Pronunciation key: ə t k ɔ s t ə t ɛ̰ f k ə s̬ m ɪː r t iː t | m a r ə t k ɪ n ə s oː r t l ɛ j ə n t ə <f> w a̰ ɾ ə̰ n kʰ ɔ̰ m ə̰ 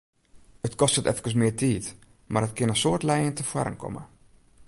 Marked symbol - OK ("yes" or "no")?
yes